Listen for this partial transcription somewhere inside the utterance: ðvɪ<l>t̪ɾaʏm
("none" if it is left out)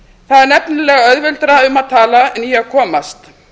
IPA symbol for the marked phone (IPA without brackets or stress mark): l